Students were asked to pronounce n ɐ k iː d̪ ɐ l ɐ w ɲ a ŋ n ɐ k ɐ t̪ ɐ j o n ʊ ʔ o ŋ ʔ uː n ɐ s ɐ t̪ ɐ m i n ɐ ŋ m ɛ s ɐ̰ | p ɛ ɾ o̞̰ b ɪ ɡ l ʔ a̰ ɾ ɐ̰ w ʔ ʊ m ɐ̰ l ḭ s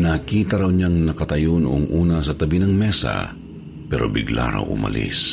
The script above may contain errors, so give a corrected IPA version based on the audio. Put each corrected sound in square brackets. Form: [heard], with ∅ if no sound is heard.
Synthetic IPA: n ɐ k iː [t̪] ɐ [ɾ] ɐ w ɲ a ŋ n ɐ k ɐ t̪ ɐ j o n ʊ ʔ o ŋ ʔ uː n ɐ s ɐ t̪ ɐ [b] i n ɐ ŋ m ɛ s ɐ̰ | p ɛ ɾ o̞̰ b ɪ ɡ l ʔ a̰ ɾ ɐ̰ w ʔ ʊ m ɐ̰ l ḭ s